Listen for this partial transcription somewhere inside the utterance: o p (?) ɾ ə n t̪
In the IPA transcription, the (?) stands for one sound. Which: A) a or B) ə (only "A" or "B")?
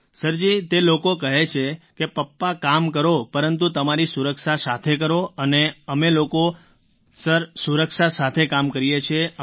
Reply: B